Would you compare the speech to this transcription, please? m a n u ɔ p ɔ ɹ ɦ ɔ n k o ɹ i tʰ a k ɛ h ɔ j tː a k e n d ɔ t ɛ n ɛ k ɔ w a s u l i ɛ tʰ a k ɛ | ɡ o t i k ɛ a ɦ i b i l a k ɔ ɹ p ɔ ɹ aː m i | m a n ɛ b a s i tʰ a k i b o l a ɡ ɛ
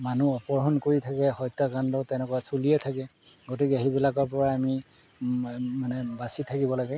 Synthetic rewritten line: m a n u ɔ p ɔ ɹ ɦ ɔ n k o ɹ i tʰ a k ɛ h ɔ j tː a k a n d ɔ t ɛ n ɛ k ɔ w a s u l i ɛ tʰ a k ɛ | ɡ o t i k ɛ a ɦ i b i l a k ɔ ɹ p ɔ ɹ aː m i | m a n ɛ b a s i tʰ a k i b ɔ l a ɡ ɛ